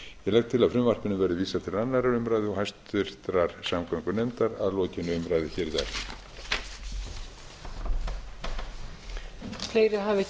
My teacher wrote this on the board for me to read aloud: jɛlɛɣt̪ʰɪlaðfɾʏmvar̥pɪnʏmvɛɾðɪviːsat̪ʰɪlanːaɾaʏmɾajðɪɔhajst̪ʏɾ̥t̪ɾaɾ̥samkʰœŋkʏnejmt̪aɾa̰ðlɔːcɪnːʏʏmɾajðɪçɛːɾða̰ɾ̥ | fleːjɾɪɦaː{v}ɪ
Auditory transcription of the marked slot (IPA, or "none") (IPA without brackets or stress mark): v